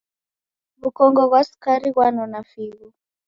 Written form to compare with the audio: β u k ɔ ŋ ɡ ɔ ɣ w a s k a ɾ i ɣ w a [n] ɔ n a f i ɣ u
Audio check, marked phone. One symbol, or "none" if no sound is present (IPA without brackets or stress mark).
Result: n